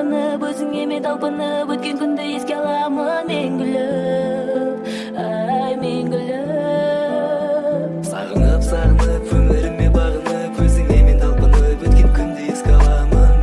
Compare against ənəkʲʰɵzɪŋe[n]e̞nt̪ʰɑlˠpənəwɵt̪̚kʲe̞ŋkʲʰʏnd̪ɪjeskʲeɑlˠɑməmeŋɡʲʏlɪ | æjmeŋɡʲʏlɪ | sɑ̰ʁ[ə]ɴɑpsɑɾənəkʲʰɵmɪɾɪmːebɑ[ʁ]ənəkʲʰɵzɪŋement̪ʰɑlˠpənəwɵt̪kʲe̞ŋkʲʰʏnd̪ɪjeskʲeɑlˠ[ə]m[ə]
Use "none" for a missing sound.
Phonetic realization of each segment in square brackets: m, ə, ʁ, ɑ, ə

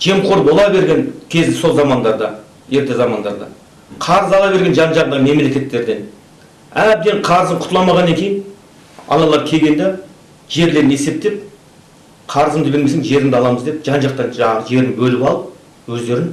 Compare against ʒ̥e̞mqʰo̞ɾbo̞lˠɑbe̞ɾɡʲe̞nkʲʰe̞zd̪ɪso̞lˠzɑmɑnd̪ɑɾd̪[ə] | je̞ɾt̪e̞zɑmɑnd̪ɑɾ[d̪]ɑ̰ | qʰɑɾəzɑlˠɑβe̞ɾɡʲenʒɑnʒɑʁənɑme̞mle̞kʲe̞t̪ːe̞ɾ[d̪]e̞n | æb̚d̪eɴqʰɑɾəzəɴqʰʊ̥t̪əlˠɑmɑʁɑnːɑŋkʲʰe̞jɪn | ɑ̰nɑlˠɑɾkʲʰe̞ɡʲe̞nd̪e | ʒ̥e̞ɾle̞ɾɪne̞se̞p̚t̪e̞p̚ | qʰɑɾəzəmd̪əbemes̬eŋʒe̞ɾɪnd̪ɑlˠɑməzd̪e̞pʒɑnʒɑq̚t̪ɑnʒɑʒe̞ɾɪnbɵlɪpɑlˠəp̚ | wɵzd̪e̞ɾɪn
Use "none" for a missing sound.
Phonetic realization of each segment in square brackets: ɑ, d̪, d̪

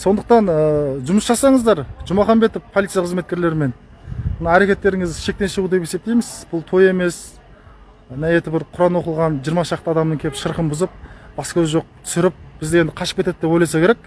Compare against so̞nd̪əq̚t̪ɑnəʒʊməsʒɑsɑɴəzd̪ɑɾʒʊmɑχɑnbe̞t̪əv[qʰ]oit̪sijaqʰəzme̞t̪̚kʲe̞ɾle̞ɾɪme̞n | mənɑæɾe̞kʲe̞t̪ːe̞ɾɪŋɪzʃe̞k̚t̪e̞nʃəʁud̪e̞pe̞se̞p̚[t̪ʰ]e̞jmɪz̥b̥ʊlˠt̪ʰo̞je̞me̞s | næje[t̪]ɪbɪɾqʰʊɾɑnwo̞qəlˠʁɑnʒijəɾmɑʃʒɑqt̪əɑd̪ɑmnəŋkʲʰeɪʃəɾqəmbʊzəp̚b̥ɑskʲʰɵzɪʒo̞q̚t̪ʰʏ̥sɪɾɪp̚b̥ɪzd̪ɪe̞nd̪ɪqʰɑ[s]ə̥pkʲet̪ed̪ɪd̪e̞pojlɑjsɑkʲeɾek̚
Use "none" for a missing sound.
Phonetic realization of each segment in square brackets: pʰ, t̪, t̪, ʃ

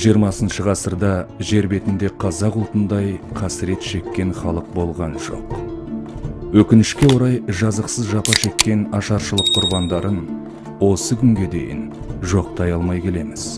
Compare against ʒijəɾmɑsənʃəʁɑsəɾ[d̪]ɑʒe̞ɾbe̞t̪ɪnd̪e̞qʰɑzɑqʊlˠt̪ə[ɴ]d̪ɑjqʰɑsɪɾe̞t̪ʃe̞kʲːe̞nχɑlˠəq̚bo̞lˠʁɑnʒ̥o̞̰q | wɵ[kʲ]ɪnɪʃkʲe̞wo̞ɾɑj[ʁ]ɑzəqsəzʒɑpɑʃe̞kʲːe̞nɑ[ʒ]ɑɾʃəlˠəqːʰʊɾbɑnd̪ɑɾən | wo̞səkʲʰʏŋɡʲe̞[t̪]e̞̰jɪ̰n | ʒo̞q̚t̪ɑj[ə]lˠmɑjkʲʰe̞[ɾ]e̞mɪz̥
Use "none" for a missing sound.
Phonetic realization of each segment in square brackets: d̪, n, kʲ, ʒ, ʃ, d̪, ɑ, l

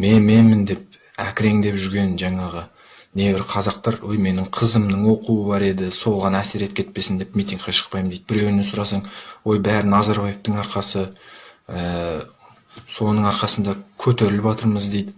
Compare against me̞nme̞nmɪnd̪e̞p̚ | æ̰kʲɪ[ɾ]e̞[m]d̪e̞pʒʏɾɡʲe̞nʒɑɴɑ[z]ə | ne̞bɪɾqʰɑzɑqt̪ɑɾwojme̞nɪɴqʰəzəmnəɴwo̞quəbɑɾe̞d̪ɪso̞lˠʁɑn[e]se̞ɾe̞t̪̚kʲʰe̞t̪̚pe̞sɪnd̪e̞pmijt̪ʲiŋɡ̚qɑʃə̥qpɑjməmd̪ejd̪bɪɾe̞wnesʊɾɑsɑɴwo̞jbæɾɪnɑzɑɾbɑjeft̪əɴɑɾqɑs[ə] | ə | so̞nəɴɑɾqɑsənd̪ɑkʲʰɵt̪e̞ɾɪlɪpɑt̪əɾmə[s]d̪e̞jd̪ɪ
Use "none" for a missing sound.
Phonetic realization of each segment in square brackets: ɾ, ŋ, ʁ, æ, ə, z

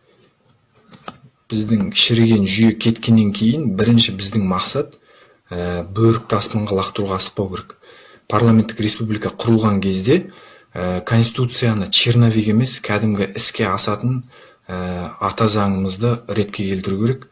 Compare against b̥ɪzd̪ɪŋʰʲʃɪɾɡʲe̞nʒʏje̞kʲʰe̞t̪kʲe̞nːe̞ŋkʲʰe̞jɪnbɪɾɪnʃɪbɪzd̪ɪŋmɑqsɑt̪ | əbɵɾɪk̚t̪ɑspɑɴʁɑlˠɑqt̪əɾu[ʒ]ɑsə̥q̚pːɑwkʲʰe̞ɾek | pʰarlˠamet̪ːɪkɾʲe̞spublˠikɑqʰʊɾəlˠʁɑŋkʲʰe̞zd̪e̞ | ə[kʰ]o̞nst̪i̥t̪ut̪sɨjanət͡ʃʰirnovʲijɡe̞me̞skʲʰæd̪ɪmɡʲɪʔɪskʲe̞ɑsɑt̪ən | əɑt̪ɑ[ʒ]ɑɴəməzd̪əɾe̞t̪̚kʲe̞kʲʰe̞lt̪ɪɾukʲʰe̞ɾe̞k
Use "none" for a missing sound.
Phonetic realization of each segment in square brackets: ʁ, kʰ, z

